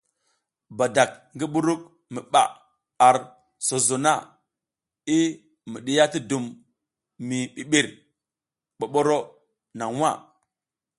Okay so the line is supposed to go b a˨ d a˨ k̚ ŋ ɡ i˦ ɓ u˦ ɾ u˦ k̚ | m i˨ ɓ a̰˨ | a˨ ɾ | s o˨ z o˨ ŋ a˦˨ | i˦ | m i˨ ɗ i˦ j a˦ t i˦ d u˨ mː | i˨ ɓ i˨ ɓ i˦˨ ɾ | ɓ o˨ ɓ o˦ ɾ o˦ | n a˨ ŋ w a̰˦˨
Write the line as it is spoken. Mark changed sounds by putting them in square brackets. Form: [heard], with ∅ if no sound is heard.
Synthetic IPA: b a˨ d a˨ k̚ ŋ ɡ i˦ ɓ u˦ ɾ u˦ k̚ | m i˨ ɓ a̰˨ | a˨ ɾ | s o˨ z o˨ [n] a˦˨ | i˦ | m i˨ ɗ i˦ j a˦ t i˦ d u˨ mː | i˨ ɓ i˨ ɓ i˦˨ ɾ | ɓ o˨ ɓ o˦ ɾ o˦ | n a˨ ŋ w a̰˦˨